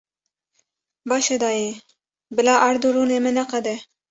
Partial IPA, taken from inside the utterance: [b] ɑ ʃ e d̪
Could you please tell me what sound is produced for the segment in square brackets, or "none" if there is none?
b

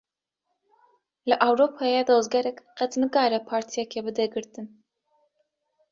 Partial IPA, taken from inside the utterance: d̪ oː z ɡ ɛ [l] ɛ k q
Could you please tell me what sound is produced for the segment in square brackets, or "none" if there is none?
ɾ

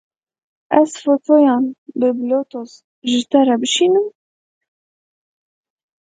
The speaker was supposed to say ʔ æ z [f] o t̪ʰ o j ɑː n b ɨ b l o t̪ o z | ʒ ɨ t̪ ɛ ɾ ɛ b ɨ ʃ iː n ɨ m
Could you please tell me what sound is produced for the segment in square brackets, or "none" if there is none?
f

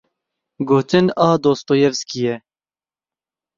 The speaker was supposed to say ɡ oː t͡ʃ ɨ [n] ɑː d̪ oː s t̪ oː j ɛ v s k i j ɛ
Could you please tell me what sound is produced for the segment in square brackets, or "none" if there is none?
n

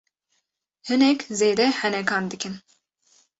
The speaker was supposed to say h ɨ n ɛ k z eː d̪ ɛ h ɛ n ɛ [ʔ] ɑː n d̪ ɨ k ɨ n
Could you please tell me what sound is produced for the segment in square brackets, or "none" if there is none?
k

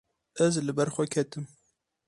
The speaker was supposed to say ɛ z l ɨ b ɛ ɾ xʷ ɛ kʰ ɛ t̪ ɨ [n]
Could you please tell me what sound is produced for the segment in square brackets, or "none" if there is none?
m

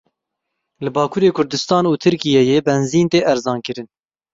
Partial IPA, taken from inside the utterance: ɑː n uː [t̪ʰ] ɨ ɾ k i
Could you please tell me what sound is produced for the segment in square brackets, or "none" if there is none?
t̪ʰ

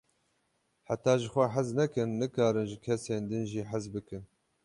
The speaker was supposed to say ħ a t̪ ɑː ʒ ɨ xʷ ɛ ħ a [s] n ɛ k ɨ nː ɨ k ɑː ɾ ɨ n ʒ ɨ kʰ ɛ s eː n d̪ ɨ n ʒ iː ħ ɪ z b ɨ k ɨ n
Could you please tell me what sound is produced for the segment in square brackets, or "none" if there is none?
z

